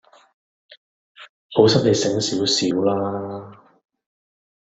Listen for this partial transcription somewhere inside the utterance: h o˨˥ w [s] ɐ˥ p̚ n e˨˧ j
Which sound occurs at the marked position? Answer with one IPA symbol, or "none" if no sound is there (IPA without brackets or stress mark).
s